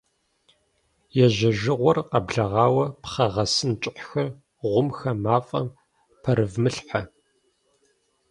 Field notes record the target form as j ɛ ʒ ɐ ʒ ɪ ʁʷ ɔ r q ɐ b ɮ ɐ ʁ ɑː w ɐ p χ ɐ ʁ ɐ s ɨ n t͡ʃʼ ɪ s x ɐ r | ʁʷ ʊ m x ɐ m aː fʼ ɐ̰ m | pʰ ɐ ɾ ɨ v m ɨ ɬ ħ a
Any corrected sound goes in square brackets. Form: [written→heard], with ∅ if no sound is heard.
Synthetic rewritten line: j ɛ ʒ ɐ ʒ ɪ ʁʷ ɔ r q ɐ b ɮ ɐ ʁ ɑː w ɐ p χ ɐ ʁ ɐ s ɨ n t͡ʃʼ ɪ [s→ħ] x ɐ r | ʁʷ ʊ m x ɐ m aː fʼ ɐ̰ m | pʰ ɐ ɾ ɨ v m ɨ ɬ ħ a